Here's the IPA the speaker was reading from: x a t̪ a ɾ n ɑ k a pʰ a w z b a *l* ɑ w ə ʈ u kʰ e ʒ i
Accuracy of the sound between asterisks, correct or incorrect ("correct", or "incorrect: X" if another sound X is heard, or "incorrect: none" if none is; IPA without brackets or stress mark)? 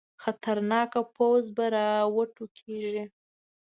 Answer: incorrect: ɾ